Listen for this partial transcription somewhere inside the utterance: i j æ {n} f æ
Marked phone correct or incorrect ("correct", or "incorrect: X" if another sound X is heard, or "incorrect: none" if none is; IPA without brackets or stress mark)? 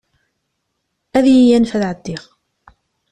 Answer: correct